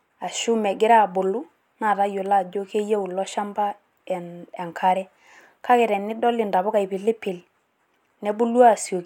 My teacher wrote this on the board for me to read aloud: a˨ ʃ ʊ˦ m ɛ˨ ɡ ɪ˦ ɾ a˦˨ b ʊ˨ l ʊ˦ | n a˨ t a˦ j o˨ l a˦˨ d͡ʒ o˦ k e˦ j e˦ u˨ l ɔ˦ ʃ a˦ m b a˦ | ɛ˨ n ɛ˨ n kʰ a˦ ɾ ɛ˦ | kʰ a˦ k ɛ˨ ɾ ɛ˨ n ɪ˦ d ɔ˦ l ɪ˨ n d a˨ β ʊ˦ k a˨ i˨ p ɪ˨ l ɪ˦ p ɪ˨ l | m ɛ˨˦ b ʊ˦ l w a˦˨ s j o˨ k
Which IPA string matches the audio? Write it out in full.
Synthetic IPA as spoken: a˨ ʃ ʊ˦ m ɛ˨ ɡ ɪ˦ ɾ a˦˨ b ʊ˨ l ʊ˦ | n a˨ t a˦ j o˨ l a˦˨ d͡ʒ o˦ k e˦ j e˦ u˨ l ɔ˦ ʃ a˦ m b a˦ | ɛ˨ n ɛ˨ ŋ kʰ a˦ ɾ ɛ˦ | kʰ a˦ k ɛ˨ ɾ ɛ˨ n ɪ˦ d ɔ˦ l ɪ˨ n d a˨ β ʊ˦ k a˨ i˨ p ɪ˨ l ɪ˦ p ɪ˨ l | n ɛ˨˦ b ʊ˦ l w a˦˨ s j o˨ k